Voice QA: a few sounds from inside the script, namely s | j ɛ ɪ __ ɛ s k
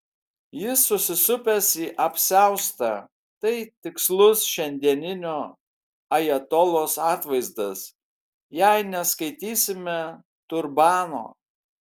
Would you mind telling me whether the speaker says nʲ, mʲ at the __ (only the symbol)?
nʲ